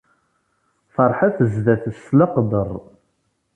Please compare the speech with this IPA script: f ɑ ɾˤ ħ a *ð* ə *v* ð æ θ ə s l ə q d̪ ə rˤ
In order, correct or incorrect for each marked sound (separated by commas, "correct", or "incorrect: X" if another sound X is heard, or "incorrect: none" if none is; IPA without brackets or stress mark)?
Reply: incorrect: θ, incorrect: z